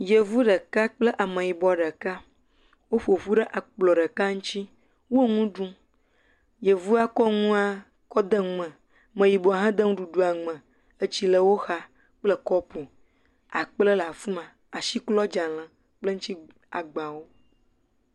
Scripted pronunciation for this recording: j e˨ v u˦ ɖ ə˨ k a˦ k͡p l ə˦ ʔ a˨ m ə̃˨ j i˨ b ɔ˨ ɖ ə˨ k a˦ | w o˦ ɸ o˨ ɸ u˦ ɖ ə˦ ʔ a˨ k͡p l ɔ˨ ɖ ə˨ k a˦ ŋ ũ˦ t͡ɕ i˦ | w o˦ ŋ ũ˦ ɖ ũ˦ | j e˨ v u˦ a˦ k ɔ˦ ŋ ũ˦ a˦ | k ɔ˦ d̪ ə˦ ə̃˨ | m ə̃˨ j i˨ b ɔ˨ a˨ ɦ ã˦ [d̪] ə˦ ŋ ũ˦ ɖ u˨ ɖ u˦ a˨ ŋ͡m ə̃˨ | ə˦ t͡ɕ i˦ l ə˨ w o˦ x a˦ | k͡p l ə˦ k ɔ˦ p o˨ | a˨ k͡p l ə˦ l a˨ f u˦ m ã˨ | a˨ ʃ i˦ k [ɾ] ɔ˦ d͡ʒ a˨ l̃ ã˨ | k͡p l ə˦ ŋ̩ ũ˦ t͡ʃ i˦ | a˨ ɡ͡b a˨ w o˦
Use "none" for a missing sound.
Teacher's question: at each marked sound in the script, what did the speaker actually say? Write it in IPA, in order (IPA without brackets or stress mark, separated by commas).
d̪, l